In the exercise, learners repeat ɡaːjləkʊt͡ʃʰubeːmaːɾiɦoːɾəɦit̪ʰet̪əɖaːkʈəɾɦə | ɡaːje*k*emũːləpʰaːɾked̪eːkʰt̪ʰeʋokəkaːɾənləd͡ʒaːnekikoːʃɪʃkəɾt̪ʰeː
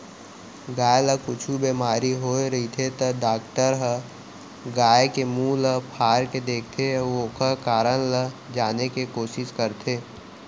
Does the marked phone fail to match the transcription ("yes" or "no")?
no